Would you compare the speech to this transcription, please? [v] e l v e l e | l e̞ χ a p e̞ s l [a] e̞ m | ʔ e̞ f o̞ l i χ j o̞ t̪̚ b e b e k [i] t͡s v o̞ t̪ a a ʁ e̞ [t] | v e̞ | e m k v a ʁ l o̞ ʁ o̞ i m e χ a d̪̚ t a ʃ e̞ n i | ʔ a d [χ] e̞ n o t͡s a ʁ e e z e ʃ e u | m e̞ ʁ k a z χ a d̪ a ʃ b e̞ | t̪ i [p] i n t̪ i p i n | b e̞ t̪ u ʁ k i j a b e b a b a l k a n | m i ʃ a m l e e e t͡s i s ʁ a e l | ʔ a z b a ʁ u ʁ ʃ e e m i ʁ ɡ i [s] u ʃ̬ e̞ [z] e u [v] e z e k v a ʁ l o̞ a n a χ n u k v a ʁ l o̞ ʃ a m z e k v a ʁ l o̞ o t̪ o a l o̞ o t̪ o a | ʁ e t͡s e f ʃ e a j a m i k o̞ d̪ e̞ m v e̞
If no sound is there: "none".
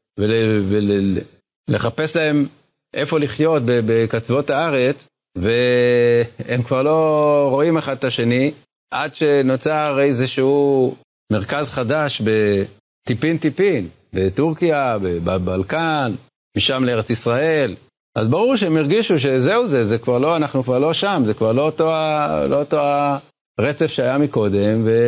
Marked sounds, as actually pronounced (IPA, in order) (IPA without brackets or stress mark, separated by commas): v, a, a, t͡s, ʃ, p, ʃ, z, z